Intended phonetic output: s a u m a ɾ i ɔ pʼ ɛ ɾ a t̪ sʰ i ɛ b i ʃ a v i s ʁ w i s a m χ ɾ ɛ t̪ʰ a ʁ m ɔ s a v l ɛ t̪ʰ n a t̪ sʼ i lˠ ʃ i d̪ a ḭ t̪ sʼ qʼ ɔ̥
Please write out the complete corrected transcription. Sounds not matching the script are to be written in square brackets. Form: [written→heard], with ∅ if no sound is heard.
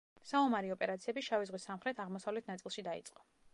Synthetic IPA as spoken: s a u m a ɾ i ɔ pʼ ɛ ɾ a t̪ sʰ i ɛ b i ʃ a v i [s→z] ʁ w i s a m χ ɾ ɛ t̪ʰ a ʁ m ɔ s a v l ɛ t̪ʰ n a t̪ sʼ i lˠ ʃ i d̪ a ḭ t̪ sʼ qʼ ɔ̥